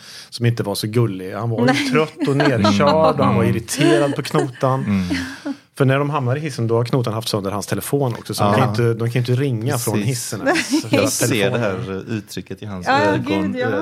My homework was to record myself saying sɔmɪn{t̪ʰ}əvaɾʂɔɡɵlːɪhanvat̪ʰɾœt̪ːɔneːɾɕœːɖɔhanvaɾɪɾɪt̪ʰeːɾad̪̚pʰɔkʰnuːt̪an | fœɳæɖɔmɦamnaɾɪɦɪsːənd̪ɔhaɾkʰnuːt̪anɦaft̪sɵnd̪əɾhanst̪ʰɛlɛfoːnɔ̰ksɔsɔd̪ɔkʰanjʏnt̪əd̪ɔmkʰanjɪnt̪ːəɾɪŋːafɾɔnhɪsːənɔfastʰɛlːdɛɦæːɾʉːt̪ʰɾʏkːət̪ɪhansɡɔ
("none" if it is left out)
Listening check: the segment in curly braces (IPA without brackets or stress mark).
t̪